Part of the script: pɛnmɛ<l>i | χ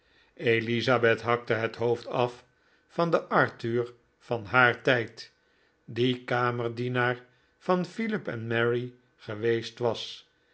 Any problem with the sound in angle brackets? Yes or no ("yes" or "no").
yes